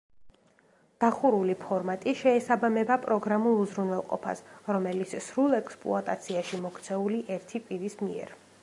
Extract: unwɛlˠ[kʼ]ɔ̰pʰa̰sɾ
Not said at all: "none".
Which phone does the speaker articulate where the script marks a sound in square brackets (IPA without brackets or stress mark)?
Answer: qʼ